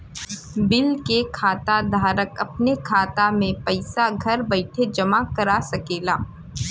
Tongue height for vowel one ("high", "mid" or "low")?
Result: high